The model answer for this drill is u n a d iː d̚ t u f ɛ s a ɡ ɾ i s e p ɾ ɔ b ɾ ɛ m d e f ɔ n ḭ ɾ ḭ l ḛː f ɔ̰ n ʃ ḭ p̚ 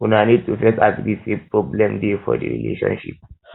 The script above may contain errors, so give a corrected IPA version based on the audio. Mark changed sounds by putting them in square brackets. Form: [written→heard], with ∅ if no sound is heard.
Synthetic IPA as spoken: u n a [d→n] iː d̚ t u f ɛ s a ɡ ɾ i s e p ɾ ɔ b [ɾ→l] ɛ m d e f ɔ [n→d] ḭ ɾ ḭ l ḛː [f→ʃ] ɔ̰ n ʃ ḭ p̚